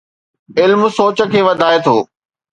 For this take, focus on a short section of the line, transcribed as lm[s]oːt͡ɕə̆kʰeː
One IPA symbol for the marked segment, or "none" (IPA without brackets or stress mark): s